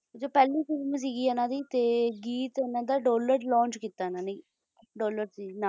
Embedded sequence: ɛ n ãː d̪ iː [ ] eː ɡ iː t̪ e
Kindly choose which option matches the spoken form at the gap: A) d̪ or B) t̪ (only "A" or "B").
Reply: B